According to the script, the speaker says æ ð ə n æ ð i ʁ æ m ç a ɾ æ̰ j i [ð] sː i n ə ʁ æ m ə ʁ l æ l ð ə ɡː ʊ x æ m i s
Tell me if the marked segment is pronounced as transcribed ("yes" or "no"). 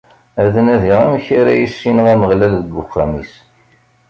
no